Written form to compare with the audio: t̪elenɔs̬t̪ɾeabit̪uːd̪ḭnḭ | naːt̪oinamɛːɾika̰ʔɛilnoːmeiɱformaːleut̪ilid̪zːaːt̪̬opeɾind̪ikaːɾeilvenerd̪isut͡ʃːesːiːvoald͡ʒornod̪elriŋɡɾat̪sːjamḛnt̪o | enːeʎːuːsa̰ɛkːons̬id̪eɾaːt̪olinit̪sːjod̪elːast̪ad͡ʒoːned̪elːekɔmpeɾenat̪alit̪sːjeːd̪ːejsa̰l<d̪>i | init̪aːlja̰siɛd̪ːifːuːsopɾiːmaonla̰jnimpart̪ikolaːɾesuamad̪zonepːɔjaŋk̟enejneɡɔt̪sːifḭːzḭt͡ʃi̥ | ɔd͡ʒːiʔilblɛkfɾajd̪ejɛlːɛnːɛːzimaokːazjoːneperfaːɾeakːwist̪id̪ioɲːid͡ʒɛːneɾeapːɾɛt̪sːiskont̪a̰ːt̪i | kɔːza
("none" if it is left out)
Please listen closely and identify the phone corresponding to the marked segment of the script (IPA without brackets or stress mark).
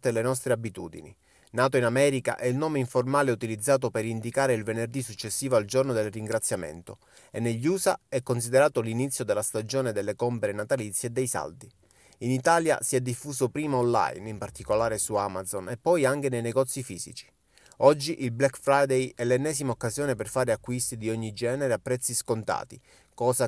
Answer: d̪